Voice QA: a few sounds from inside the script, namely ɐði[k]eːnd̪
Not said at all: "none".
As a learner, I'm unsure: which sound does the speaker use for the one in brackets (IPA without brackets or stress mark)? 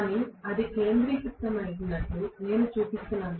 k